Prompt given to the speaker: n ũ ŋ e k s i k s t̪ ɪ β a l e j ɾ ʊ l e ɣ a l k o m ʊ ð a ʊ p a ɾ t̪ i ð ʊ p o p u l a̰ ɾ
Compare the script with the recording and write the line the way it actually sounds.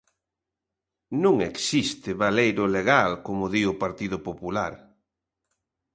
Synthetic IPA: n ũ ŋ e k s i s t̪ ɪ β a l e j ɾ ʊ l e ɣ a l k o m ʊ ð i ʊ p a ɾ t̪ i ð ʊ p o p u l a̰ ɾ